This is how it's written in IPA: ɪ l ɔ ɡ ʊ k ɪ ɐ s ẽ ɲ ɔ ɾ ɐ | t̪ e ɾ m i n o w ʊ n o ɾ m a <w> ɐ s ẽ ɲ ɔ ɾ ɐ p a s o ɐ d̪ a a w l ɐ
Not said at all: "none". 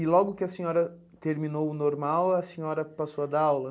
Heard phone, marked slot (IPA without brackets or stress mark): w